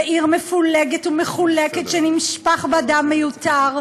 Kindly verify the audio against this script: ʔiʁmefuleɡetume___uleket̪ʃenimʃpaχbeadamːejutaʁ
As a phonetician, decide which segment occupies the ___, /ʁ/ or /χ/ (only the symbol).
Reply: χ